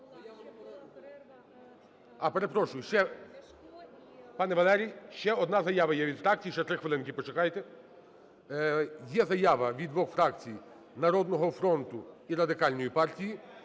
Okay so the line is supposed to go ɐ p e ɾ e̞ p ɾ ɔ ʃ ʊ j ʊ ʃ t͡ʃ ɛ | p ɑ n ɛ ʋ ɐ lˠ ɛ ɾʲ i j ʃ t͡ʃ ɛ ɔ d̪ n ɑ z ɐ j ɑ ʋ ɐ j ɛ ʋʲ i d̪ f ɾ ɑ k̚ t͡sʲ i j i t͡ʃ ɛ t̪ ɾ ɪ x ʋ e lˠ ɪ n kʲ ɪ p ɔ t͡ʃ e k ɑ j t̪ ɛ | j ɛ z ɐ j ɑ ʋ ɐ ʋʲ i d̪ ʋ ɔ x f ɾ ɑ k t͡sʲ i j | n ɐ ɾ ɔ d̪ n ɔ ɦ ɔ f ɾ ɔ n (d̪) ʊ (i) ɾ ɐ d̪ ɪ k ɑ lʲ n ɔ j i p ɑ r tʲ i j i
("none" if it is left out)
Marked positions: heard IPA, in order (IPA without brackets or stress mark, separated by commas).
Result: t̪, i